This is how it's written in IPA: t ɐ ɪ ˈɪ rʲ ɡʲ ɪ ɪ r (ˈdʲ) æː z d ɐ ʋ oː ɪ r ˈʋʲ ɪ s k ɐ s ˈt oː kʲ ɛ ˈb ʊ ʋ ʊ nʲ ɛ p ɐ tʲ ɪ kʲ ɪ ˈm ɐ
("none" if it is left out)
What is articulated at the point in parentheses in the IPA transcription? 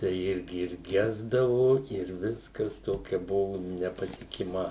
ɡʲ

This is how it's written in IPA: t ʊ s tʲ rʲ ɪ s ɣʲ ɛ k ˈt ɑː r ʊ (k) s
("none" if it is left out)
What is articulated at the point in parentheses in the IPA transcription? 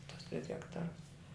none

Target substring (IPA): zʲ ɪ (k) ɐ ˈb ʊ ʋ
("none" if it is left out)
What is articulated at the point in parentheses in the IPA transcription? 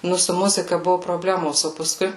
k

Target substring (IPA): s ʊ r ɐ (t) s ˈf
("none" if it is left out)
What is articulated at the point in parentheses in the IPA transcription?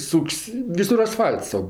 none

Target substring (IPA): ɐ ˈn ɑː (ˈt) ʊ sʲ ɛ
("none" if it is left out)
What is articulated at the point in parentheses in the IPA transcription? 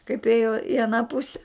p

